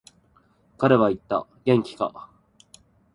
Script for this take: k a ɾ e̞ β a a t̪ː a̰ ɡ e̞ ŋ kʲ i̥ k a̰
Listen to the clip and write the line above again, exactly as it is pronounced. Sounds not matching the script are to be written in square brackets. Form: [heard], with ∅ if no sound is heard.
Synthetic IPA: k a ɾ e̞ β a [i] t̪ː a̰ ɡ [ẽ̞] ŋ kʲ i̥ k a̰